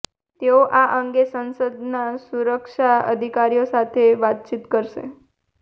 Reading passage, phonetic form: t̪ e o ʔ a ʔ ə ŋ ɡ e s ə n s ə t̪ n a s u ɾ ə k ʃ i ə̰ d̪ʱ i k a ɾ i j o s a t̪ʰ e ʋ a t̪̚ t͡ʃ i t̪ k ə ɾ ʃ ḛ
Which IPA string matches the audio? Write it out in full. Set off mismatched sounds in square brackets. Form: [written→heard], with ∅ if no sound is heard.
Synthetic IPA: t̪ e o ʔ a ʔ ə ŋ ɡ e s ə n s ə [t̪→d̪] n a s u ɾ ə k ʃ [i→a] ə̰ d̪ʱ i k a ɾ i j o s a t̪ʰ e ʋ a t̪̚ t͡ʃ i t̪ k ə ɾ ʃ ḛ